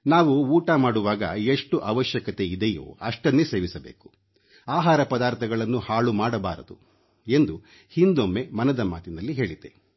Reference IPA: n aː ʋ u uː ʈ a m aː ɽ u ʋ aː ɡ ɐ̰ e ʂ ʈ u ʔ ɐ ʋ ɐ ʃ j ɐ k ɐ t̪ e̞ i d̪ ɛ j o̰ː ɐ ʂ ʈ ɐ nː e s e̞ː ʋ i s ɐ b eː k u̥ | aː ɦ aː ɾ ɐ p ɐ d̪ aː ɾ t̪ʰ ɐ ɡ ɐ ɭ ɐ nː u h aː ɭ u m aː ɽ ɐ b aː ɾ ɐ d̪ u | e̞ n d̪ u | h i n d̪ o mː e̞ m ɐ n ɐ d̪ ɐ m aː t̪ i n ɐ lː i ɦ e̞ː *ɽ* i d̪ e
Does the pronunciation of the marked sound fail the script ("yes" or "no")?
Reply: yes